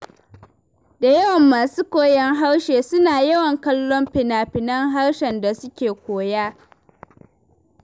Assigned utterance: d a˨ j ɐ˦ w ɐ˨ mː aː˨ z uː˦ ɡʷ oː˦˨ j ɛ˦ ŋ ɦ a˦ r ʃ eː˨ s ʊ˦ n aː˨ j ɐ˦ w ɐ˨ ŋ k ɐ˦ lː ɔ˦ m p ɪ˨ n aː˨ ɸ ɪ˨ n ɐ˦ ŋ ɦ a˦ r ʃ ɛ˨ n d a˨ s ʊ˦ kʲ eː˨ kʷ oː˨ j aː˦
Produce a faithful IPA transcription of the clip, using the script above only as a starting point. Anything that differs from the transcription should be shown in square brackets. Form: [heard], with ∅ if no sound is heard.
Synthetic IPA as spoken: d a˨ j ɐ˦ w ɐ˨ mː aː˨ [s] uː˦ [kʷ] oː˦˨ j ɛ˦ ŋ ɦ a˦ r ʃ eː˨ s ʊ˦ n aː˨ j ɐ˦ w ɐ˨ ŋ k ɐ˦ lː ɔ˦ m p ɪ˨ n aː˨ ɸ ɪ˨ n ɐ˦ ŋ ɦ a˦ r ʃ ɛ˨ n d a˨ s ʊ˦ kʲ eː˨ kʷ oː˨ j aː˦